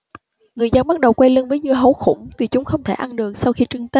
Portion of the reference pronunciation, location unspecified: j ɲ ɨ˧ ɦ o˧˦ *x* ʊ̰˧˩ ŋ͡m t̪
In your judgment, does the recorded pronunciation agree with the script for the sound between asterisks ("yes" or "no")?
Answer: yes